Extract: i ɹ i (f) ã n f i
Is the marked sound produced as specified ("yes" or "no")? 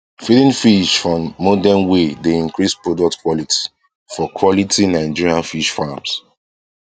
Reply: no